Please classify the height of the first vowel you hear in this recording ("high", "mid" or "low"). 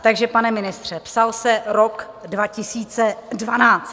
low